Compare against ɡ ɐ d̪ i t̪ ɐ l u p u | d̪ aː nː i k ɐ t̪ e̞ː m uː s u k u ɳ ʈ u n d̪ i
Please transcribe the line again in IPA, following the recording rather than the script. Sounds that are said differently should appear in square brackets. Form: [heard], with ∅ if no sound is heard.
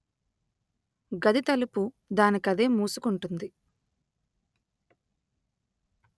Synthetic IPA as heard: ɡ ɐ d̪ i t̪ ɐ l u p u | d̪ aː [n] i k ɐ [d̪] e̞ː m uː s u k u ɳ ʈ u n d̪ i